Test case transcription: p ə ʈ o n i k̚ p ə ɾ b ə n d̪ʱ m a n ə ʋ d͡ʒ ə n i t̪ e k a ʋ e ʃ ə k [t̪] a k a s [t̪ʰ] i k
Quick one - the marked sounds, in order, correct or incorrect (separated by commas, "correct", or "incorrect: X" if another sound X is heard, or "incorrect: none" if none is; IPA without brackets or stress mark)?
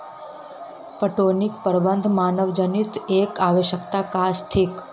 correct, correct